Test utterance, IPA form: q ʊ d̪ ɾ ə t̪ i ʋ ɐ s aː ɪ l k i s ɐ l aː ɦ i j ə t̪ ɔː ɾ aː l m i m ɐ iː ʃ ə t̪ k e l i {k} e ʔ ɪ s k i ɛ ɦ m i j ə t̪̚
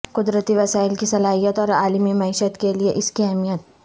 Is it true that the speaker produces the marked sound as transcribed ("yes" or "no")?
no